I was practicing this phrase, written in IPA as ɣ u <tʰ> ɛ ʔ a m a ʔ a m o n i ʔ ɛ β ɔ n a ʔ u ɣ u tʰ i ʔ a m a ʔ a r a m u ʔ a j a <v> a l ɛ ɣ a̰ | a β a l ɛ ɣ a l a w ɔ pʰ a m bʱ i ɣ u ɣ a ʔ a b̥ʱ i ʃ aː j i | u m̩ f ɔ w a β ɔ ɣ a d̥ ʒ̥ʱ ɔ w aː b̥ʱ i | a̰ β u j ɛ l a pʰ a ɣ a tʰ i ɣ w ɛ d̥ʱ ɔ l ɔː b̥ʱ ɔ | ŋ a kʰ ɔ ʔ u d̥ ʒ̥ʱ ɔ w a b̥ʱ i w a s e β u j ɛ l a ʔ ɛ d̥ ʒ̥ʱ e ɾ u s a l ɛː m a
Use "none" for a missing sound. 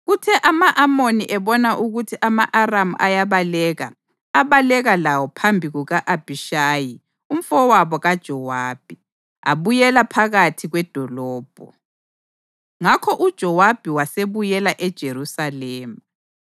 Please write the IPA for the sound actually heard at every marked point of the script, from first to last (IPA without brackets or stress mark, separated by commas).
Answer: tʰ, β